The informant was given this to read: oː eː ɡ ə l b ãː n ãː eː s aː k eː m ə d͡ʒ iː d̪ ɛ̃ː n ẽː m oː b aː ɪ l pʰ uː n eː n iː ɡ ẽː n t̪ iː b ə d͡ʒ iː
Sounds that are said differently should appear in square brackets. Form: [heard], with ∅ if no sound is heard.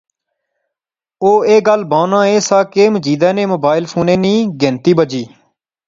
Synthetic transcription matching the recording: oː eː ɡ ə l b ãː n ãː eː s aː k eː m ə d͡ʒ iː d̪ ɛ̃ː n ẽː m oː b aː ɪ l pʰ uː n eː n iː ɡ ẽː n t̪ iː b ə d͡ʒ iː